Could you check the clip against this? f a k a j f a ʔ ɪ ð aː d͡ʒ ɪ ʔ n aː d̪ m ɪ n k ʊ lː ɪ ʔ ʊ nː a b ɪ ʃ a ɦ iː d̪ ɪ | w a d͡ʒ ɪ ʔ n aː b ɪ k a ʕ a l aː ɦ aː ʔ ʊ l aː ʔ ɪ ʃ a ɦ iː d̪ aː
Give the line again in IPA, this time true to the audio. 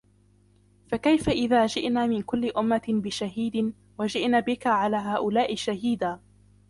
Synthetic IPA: f a k a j f a ʔ ɪ ð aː d͡ʒ ɪ ʔ n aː m ɪ n k ʊ lː ɪ ʔ ʊ mː a b ɪ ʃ a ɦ iː d̪ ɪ | w a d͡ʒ ɪ ʔ n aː b ɪ k a ʕ a l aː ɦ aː ʔ ʊ l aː ʔ ɪ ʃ a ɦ iː d̪ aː